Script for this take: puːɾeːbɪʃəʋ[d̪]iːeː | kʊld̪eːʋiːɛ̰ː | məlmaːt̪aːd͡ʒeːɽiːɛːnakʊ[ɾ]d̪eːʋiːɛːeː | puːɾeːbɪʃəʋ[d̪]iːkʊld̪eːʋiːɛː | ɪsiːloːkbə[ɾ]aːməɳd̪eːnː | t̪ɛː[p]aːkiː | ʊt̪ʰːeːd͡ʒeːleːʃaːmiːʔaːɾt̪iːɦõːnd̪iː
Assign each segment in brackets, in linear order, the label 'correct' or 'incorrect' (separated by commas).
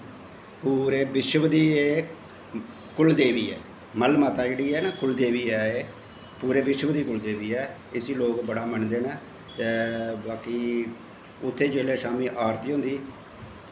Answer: correct, incorrect, correct, incorrect, incorrect